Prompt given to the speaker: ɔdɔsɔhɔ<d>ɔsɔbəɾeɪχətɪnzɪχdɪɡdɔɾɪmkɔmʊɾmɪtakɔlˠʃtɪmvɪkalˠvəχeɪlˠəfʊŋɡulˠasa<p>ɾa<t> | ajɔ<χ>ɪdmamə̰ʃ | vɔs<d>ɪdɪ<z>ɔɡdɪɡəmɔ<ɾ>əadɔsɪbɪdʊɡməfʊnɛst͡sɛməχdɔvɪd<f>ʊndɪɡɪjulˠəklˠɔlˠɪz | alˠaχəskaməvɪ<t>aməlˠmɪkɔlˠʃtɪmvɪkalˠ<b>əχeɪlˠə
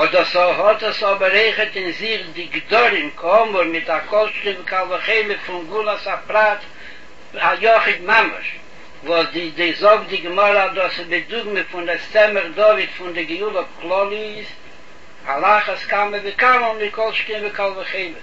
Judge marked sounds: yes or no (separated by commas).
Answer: no, yes, yes, yes, yes, yes, yes, yes, no, no